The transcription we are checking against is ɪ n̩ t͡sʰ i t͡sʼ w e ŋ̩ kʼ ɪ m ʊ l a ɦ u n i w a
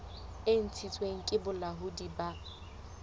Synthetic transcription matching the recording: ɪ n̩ t͡sʰ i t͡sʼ w e ŋ̩ kʼ ɪ b ʊ l a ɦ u d i b a